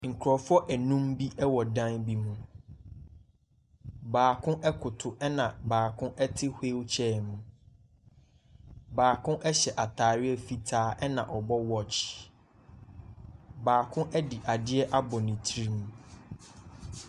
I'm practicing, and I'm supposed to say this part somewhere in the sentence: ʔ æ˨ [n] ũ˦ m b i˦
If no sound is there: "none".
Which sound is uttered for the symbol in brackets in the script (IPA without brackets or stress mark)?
n